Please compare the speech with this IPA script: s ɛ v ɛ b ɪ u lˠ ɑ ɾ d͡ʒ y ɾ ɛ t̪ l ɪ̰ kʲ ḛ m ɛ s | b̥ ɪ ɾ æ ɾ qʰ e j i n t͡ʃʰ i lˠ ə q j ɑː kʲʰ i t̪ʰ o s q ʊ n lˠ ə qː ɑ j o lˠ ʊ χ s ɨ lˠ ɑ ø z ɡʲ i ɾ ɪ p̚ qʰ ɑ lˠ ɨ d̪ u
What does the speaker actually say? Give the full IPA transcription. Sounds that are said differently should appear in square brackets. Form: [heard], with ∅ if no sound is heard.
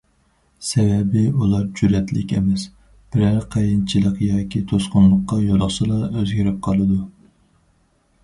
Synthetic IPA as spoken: s ɛ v ɛ b ɪ u lˠ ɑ ɾ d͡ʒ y ɾ ɛ t̪ l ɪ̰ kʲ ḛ m ɛ s | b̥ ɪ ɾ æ ɾ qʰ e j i n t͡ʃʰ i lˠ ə q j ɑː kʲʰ i t̪ʰ o s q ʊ n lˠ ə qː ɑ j o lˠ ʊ χ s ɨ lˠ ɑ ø z ɡʲ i ɾ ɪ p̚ qʰ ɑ lˠ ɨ d̪ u